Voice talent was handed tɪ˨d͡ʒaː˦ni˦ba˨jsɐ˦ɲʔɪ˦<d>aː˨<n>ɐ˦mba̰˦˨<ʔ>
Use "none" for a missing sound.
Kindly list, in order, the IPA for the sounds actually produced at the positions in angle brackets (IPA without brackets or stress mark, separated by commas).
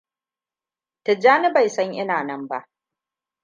n, n, ʔ